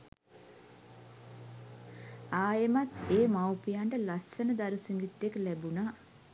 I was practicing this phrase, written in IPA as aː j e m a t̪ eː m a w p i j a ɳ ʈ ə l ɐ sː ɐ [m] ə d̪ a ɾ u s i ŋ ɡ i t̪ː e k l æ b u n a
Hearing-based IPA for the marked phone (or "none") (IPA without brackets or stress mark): n